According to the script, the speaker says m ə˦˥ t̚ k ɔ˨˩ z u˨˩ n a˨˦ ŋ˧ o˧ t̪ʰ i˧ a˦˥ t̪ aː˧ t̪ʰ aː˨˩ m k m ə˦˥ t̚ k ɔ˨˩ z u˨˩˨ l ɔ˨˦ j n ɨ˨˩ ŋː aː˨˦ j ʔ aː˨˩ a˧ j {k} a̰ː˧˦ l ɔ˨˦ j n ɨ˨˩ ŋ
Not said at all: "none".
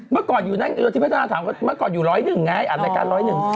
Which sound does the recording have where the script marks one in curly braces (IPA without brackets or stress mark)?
k